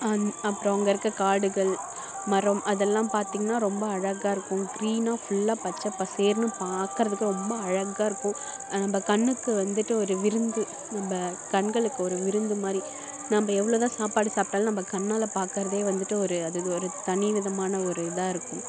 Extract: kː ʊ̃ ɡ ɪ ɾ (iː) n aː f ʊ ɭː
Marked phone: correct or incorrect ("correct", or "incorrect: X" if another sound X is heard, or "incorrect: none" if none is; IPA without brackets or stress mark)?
correct